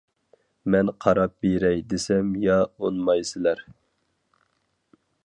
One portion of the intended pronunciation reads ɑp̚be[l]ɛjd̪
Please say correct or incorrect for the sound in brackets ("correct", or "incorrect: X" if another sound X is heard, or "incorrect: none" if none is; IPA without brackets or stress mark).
incorrect: ɾ